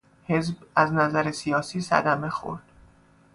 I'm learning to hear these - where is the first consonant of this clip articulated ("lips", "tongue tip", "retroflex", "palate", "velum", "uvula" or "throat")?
throat